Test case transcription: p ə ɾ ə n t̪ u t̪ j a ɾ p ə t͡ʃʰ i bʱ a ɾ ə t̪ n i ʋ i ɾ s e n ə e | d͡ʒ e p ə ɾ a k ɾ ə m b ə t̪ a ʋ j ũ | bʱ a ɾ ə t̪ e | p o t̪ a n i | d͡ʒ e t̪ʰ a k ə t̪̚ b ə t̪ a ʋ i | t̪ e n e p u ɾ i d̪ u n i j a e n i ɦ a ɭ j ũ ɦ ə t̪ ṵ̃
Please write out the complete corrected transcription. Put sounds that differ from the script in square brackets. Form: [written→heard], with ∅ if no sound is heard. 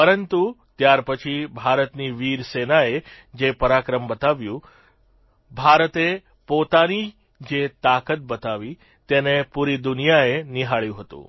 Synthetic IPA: p ə ɾ ə n t̪ u t̪ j a ɾ p ə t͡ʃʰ i bʱ a ɾ ə t̪ n i ʋ i ɾ s e n [ə→a] e | d͡ʒ e p ə ɾ a k ɾ ə m b ə t̪ a ʋ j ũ | bʱ a ɾ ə t̪ e | p o t̪ a n i | d͡ʒ e [t̪ʰ→t̪] a k ə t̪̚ b ə t̪ a ʋ i | t̪ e n e p u ɾ i d̪ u n i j a e n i ɦ a ɭ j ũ ɦ ə t̪ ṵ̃